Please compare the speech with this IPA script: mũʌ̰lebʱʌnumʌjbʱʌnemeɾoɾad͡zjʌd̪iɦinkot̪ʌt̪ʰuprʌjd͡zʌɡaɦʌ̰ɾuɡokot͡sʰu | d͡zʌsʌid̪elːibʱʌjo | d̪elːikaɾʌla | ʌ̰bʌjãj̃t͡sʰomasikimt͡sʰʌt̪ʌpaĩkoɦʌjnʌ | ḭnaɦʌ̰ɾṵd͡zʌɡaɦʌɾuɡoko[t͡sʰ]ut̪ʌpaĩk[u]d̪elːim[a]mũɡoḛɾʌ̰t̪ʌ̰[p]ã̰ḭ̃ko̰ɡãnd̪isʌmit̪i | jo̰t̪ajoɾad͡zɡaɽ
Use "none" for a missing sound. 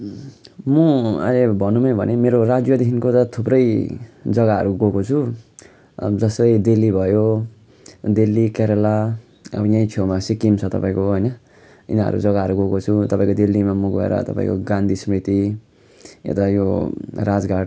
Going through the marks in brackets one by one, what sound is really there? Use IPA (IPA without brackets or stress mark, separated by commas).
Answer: t͡sʰ, o, a, p